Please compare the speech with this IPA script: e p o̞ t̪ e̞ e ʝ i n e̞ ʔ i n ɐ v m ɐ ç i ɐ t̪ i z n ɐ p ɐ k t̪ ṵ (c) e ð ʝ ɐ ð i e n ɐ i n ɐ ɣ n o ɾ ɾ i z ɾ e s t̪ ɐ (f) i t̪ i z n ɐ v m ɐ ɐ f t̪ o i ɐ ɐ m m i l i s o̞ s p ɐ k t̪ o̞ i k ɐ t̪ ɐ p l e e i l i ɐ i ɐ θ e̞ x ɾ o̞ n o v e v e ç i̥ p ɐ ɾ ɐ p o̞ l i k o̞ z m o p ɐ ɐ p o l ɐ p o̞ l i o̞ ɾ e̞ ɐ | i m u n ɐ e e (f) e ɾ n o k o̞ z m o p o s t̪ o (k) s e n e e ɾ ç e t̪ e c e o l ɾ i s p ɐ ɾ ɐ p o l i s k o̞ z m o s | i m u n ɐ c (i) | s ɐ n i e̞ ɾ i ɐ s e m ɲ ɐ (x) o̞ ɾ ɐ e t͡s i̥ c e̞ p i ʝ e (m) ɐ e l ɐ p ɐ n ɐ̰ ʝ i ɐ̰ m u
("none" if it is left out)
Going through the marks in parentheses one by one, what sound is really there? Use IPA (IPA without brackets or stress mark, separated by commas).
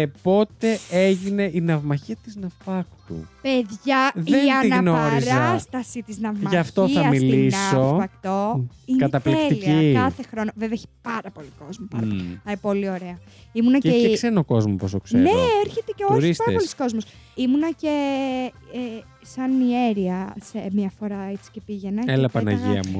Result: p, s, s, k, e, f, n